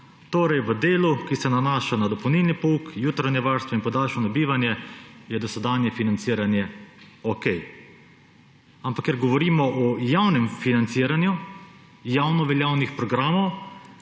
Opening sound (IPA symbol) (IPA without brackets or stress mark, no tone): t̪